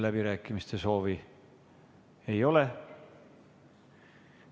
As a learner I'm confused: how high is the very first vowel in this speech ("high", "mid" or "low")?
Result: low